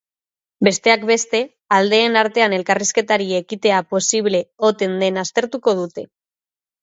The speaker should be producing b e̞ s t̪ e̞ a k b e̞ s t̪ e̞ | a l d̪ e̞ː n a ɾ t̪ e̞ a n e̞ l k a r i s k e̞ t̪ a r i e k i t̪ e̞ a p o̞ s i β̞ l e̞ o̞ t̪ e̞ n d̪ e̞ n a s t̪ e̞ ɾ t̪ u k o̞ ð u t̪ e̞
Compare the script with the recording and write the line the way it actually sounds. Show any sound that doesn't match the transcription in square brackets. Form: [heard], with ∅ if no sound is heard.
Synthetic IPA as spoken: b e̞ s t̪ e̞ a k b e̞ s t̪ e̞ | a l d̪ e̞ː n a ɾ t̪ e̞ a n e̞ l k a r i s k e̞ t̪ a [ɾ] i e k i t̪ e̞ a p o̞ s i β̞ l e̞ o̞ t̪ e̞ n d̪ e̞ n a s t̪ e̞ ɾ t̪ u k o̞ ð u t̪ e̞